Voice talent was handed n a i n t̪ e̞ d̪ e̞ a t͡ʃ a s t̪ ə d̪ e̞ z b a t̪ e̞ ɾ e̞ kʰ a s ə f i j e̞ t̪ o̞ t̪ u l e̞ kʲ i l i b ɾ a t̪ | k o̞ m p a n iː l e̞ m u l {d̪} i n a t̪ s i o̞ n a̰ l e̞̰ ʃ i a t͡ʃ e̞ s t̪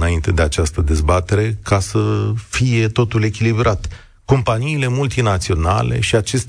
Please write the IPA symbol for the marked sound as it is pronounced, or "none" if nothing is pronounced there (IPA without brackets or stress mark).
t̪